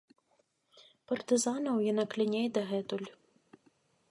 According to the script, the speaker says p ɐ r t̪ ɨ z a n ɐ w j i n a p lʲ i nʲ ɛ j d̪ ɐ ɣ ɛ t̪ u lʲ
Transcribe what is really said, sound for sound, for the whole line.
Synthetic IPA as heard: p ɐ r t̪ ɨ z a n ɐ w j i n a k lʲ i nʲ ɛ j d̪ ɐ ɣ ɛ t̪ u lʲ